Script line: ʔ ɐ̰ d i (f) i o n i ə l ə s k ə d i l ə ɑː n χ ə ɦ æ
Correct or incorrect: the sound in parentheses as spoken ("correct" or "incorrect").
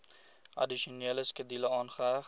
incorrect